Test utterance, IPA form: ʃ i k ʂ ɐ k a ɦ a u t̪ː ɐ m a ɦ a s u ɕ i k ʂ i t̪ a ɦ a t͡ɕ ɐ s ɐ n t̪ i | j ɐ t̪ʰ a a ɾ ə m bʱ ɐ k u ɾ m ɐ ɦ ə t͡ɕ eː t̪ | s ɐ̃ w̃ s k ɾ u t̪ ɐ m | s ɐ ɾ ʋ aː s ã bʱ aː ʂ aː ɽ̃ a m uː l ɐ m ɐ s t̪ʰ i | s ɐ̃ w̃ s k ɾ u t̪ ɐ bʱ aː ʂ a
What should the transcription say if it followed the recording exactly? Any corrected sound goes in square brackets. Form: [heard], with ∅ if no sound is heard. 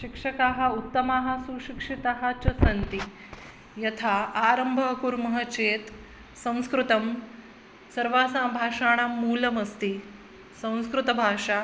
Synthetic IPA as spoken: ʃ i k ʂ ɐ k a ɦ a u t̪ː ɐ m a ɦ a s u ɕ i k ʂ i t̪ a ɦ a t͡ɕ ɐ s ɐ n t̪ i | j ɐ t̪ʰ a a ɾ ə m bʱ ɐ k u ɾ m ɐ ɦ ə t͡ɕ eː t̪ | s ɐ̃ w̃ s k ɾ u t̪ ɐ m | s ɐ ɾ ʋ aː s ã bʱ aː ʂ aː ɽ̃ a m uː l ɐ m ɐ s [t̪] i | s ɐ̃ w̃ s k ɾ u t̪ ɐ bʱ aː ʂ a